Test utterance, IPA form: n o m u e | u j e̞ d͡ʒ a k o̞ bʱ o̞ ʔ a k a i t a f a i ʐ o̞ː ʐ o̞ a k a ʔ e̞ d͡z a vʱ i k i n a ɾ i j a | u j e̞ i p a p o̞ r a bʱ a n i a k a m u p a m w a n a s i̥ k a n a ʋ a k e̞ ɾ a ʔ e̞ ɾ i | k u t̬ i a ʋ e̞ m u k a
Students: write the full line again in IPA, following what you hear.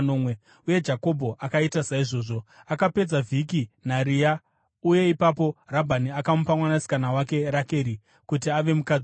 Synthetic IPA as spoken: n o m w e | u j e̞ d͡ʒ a k o̞ bʱ o̞ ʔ a k a i t a s a i ʐ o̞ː ʐ o̞ a k a p e̞ d͡z a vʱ i k i n a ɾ i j a | u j e̞ i p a p o̞ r a bʱ a n i a k a m u p a m w a n a s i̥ k a n a w a k e̞ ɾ a k e̞ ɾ i | k u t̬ i a ʋ e̞ m u k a